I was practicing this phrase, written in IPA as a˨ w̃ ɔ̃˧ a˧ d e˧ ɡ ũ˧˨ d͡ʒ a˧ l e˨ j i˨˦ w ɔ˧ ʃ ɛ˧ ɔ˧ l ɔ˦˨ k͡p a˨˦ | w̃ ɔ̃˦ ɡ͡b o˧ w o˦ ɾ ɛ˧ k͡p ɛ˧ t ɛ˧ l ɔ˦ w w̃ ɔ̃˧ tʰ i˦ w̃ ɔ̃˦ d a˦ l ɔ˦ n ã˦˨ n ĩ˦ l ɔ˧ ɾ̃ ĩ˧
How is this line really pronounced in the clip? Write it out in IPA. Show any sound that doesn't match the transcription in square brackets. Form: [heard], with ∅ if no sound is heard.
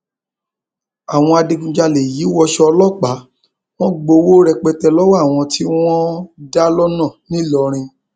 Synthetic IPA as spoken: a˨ w̃ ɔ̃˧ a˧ d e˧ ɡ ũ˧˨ d͡ʒ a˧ l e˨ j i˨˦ w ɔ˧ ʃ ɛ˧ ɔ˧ l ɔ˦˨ k͡p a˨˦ | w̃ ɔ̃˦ ɡ͡b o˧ w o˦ ɾ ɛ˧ k͡p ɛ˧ t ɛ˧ l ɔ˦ w w̃ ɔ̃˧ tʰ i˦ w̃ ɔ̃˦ d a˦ l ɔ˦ n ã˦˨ n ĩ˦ l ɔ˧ ɾ̃ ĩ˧

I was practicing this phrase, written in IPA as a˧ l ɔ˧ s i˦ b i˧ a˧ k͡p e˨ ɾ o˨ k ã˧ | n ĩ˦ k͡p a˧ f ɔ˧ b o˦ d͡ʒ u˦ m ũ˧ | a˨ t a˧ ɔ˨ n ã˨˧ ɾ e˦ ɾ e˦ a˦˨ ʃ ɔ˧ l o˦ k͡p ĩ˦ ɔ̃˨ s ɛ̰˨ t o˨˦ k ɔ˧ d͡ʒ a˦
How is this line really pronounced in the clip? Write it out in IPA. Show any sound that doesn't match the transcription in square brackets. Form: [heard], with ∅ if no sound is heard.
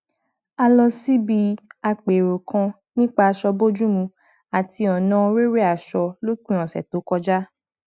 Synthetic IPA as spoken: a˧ l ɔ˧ s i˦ b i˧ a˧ k͡p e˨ ɾ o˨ k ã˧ | n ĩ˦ k͡p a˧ [ʃ] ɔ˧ b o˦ d͡ʒ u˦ m ũ˧ | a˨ t [i˧] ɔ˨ n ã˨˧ ɾ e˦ ɾ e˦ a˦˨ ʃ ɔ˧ l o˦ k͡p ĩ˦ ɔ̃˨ s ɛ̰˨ t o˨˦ k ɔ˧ d͡ʒ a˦

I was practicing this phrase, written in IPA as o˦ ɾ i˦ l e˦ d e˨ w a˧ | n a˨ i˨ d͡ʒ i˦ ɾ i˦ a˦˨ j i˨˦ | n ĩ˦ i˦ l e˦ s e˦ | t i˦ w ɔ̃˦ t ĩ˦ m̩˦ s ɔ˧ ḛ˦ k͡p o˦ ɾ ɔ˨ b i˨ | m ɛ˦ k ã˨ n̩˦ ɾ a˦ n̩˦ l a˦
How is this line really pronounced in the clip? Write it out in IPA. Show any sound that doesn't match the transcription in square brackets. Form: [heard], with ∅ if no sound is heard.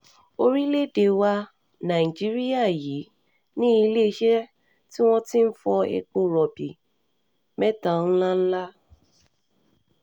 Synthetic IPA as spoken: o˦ ɾ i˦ l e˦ d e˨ w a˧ | n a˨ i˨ d͡ʒ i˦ ɾ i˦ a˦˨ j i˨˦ | n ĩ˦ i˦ l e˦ [ʃ] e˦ | t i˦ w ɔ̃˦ t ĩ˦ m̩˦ [f] ɔ˧ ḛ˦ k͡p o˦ ɾ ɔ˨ b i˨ | m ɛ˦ [t] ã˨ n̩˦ [l] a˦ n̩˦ l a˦

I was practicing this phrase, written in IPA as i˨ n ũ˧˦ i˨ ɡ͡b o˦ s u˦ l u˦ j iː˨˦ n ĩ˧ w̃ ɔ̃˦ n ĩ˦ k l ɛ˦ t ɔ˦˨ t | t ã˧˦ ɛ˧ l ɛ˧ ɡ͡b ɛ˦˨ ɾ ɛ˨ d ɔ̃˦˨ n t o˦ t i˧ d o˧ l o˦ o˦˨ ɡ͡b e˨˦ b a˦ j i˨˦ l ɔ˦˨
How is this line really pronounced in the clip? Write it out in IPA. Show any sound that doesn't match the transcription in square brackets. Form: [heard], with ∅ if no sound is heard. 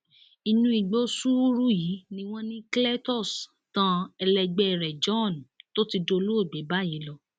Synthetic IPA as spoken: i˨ n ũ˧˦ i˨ ɡ͡b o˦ s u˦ [ɾ] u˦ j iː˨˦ n ĩ˧ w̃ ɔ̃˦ n ĩ˦ k l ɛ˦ t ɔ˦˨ [s] | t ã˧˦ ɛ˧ l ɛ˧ ɡ͡b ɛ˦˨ ɾ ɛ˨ [d͡ʒ] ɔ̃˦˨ n t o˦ t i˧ d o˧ l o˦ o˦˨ ɡ͡b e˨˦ b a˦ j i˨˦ l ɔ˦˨

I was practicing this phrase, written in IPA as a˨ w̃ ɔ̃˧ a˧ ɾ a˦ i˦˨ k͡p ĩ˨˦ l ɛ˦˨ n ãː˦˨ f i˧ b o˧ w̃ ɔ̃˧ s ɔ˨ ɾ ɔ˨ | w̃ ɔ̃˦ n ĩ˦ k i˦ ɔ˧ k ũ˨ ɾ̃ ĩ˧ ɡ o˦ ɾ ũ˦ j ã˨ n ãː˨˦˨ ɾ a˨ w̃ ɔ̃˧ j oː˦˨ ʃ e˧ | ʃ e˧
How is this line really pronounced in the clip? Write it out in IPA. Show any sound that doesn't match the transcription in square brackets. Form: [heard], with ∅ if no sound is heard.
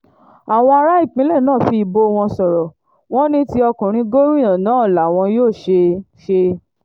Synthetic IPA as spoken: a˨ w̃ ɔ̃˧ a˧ ɾ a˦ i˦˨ k͡p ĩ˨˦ l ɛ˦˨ n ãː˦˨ f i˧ b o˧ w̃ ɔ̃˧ s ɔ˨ ɾ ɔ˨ | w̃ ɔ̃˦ n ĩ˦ [t] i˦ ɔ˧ k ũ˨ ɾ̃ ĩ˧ ɡ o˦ ɾ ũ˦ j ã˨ n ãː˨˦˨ [l] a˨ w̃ ɔ̃˧ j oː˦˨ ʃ e˧ | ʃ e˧

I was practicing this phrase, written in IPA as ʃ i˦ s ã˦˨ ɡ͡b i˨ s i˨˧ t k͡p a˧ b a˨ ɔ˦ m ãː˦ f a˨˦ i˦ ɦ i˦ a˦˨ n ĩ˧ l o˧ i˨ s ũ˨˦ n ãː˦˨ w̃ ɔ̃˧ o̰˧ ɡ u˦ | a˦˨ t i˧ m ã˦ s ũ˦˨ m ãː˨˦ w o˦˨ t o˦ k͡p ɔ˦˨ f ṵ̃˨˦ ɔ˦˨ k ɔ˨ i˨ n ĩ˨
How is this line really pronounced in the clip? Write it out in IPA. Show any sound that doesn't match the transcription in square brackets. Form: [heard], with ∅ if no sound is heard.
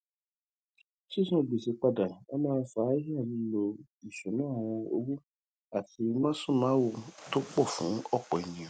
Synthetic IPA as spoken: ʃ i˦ s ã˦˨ ɡ͡b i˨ s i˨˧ [∅] k͡p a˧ [d] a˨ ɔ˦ m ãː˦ f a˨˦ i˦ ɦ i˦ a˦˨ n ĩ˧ l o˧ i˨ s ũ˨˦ n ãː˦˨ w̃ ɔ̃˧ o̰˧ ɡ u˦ | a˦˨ t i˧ m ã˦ s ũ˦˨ m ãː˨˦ w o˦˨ t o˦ k͡p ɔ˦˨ f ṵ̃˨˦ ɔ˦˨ [k͡p] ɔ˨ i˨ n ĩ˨

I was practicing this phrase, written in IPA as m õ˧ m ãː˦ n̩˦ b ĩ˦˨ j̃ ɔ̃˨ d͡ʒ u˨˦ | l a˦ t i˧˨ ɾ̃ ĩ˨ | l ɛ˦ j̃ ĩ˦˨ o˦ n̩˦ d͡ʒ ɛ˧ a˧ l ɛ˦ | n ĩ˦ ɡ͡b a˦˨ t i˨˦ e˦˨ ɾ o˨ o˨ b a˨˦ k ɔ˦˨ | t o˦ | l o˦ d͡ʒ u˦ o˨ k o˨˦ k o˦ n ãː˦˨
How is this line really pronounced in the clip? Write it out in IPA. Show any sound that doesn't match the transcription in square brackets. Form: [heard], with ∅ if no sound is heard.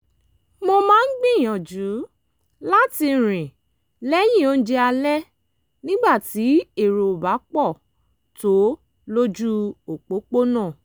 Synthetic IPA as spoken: m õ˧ m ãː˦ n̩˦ [ɡ͡b] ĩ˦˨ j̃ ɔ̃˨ d͡ʒ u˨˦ | l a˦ t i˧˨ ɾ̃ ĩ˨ | l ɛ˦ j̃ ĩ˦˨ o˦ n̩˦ d͡ʒ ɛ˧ a˧ l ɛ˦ | n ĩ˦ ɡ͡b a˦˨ t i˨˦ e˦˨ ɾ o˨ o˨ b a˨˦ [k͡p] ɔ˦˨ | t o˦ | l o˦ d͡ʒ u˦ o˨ [k͡p] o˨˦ [k͡p] o˦ n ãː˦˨

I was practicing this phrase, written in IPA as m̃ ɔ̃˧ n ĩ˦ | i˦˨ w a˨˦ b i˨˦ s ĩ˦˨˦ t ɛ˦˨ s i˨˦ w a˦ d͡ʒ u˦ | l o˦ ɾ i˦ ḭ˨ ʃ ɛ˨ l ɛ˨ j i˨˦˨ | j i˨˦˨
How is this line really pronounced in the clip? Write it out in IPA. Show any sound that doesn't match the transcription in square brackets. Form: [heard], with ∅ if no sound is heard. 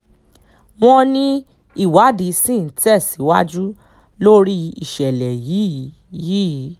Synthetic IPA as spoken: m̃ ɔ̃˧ n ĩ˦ | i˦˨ w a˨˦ [d] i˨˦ s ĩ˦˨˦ t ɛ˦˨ s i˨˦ w a˦ d͡ʒ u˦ | l o˦ ɾ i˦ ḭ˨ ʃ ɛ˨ l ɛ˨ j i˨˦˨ | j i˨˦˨

